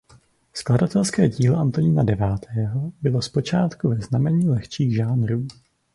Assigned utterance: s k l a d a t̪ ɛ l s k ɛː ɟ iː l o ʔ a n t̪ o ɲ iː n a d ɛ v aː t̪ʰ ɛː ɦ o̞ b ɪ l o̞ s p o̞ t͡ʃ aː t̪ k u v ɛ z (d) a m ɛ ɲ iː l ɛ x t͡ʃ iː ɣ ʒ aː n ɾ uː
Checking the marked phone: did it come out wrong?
yes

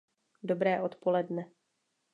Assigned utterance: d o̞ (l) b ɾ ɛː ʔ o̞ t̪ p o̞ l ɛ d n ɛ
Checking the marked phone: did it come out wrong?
yes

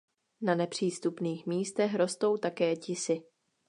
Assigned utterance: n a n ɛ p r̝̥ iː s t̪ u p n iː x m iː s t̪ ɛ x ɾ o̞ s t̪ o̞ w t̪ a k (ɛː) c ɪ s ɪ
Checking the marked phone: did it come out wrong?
no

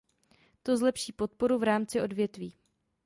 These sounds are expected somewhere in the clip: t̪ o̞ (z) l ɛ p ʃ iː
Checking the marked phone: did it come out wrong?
no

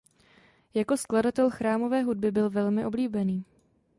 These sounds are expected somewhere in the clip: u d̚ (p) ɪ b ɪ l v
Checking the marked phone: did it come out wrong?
yes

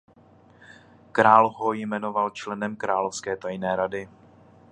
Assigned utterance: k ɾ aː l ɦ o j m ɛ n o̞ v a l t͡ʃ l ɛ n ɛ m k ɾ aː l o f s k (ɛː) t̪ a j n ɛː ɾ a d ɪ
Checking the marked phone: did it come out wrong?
no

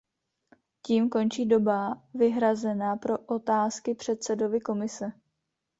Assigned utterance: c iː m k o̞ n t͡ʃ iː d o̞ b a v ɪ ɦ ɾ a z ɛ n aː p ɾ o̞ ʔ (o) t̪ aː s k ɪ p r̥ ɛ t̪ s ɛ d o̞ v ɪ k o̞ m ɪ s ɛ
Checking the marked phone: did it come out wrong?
no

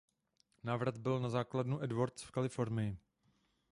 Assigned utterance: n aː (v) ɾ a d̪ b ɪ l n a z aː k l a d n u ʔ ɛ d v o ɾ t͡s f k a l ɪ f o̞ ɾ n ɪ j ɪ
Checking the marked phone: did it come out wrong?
no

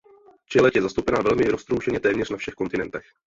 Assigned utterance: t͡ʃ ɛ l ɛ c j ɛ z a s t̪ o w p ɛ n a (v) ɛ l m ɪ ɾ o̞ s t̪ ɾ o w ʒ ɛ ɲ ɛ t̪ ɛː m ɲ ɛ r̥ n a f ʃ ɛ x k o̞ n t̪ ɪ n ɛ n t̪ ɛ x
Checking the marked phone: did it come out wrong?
no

